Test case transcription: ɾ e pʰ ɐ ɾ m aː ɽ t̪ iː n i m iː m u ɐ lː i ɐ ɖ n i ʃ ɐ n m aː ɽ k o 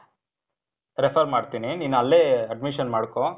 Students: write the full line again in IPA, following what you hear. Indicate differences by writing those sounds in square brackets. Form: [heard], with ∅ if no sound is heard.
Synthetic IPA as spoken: ɾ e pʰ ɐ ɾ m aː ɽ t̪ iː n i [n] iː [n] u ɐ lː [e] ɐ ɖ [m] i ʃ ɐ n m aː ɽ k o

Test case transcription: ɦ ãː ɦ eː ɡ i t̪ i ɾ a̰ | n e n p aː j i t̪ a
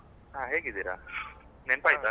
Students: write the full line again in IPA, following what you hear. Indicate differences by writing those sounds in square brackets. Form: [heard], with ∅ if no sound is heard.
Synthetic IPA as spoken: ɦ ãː ɦ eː ɡ i [d̪] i ɾ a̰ | n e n p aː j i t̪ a

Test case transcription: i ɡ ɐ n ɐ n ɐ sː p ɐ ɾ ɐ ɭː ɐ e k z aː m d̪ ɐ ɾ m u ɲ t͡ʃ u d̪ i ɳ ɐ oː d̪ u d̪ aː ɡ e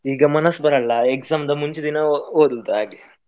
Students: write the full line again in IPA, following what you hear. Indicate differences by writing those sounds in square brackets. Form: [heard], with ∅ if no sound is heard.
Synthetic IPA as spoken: [iː] ɡ ɐ [m] ɐ n ɐ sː [b] ɐ ɾ ɐ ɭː ɐ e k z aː m d̪ ɐ [∅] m u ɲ t͡ʃ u d̪ i [n] ɐ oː d̪ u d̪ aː ɡ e

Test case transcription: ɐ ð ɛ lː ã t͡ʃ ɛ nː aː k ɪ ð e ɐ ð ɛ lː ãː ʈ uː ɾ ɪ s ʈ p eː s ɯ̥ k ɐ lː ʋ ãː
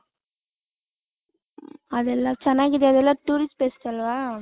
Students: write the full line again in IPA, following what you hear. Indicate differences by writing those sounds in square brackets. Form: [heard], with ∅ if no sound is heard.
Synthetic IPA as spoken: ɐ ð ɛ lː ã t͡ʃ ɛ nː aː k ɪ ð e ɐ ð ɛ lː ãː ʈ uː ɾ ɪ s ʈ p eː s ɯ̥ k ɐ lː ʋ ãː

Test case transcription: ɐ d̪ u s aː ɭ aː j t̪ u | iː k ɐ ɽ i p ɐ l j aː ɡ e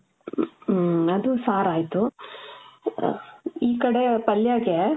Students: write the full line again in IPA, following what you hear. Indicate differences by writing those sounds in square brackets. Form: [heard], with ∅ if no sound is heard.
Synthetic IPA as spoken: ɐ d̪ u s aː [ɾ] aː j t̪ u | iː k ɐ ɽ [e] p ɐ l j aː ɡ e

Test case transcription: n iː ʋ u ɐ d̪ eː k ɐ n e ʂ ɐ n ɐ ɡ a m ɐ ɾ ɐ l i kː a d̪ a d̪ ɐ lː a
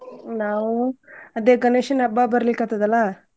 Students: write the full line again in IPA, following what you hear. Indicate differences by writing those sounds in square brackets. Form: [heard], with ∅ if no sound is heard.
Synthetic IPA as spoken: n [aː] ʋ u ɐ d̪ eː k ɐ n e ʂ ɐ n ɐ [b] a [b] ɐ ɾ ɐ l i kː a [t̪] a d̪ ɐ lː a

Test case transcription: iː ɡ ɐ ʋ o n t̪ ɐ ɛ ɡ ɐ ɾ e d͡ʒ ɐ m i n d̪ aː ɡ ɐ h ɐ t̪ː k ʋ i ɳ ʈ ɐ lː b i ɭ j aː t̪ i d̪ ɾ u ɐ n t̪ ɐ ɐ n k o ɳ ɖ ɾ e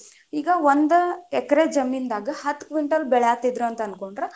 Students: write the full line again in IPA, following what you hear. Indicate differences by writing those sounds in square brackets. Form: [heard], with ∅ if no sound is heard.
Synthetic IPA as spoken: iː ɡ ɐ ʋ o n [d̪] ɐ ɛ [k] ɐ ɾ e d͡ʒ ɐ m i n d̪ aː ɡ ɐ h ɐ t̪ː k ʋ i ɳ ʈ ɐ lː b [ɛ] ɭ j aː t̪ i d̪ ɾ u ɐ n t̪ ɐ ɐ n k o ɳ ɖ ɾ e

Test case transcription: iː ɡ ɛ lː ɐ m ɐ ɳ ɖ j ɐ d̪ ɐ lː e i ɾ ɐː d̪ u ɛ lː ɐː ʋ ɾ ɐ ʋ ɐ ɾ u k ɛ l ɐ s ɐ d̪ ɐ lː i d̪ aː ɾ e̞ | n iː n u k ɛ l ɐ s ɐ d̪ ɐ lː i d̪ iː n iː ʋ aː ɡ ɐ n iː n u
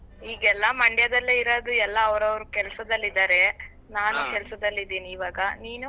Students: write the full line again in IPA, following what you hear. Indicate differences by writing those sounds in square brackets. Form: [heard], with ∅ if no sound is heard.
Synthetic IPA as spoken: iː ɡ ɛ lː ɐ m ɐ ɳ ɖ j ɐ d̪ ɐ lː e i ɾ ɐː d̪ u ɛ lː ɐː ʋ ɾ ɐ ʋ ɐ ɾ u k ɛ l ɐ s ɐ d̪ ɐ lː i d̪ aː ɾ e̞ | n [aː] n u k ɛ l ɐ s ɐ d̪ ɐ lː i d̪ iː n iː ʋ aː ɡ ɐ n iː n u

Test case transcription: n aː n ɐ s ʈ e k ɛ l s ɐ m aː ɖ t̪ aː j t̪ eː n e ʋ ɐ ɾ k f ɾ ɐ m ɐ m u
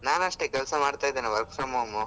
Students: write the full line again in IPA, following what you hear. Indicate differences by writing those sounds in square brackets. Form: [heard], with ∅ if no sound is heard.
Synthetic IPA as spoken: n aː n ɐ [ʂ] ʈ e k ɛ l s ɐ m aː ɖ t̪ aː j [d̪] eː n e ʋ ɐ ɾ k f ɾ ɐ m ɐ m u

